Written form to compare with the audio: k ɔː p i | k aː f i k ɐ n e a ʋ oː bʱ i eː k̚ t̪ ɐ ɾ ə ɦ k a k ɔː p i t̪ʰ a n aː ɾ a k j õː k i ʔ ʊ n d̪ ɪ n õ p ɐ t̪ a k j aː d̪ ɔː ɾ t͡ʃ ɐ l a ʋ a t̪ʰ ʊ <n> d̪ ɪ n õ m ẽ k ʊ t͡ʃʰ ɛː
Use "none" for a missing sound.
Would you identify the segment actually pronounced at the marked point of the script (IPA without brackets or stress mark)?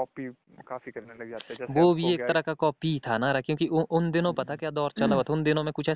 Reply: n